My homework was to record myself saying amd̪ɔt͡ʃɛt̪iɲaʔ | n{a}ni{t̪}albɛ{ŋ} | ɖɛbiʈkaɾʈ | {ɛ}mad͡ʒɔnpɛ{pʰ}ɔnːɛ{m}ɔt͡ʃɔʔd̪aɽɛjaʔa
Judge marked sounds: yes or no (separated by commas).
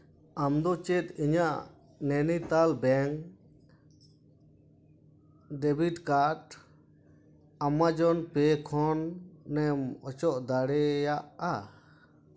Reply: no, yes, yes, no, no, yes